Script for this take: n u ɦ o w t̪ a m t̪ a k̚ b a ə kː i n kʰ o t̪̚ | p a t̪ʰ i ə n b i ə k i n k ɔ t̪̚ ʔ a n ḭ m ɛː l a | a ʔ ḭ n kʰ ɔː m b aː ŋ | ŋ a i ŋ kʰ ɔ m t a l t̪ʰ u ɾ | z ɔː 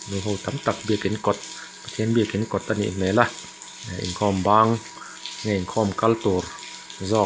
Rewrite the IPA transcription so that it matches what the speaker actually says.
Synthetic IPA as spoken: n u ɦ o w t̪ a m t̪ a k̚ b i ə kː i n k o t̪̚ | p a t̪ʰ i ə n b i ə k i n k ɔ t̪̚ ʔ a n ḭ m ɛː l a | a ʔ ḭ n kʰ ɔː m b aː ŋ | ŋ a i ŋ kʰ ɔ m k a l t̪ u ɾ | z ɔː